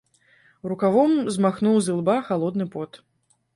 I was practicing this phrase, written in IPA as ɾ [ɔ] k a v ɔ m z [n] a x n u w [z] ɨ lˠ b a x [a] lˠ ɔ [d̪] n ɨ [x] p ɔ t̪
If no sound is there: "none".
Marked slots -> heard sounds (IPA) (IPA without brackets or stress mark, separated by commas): u, m, z, a, d̪, none